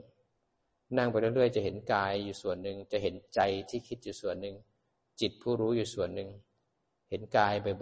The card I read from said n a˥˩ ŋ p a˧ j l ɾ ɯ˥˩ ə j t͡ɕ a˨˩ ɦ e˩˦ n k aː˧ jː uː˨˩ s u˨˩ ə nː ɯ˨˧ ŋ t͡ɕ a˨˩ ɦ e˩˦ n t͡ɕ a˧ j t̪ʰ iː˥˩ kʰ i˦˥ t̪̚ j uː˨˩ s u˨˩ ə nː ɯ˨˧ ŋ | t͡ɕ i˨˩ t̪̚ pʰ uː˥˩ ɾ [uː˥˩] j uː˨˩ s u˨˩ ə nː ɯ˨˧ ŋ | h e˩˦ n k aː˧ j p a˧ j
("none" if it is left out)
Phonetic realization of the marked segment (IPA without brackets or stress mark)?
uː˦˥